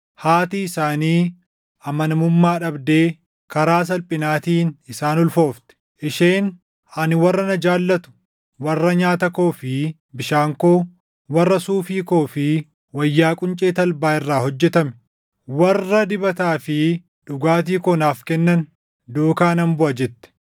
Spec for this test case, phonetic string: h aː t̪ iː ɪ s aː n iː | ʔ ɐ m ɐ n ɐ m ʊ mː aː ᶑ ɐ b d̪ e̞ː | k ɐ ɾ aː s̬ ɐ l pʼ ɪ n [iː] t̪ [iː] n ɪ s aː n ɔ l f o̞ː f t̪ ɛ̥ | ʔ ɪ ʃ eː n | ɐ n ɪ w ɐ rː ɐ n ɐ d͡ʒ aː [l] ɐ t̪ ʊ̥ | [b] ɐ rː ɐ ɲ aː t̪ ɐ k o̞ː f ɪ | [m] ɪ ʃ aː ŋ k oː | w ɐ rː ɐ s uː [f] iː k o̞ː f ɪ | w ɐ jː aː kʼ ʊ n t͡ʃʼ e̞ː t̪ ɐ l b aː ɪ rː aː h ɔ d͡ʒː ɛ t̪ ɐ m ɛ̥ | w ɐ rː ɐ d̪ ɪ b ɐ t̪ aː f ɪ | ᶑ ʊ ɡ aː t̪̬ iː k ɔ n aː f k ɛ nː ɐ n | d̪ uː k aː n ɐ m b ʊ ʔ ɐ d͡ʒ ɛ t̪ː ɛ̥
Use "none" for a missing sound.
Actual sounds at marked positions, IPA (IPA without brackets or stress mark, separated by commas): aː, iː, lː, w, b, f